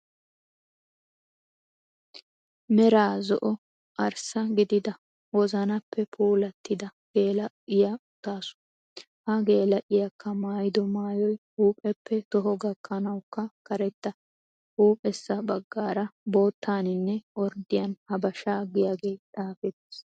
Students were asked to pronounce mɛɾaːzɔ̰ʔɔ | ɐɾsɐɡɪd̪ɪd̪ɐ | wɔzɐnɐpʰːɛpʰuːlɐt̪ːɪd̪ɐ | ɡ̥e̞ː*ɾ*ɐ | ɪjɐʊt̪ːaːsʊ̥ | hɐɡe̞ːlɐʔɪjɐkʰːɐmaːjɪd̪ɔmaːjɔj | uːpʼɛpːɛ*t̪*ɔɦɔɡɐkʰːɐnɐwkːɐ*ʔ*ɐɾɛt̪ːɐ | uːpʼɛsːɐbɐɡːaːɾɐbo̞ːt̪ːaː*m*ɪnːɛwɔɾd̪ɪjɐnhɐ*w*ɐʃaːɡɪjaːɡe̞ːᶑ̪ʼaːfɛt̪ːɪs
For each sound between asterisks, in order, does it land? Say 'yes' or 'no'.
no, yes, no, no, no

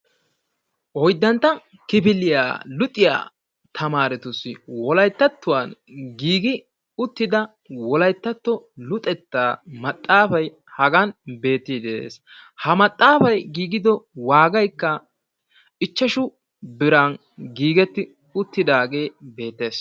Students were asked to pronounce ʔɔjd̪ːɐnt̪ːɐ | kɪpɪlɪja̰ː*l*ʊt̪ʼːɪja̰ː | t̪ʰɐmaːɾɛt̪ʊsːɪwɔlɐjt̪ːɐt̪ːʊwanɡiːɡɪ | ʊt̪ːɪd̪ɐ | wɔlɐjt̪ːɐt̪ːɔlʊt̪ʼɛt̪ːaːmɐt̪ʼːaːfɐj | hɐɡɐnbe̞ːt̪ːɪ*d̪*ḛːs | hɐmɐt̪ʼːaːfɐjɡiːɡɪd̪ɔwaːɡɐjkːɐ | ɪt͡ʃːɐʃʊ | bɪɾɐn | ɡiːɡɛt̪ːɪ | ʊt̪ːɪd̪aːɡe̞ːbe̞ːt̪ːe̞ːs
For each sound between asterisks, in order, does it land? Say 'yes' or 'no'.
yes, yes

